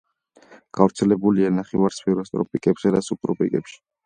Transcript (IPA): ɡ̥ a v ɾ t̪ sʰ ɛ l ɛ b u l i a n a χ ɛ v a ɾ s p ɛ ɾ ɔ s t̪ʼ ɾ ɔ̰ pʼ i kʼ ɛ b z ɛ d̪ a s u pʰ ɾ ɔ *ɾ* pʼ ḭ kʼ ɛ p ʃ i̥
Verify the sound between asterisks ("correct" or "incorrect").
incorrect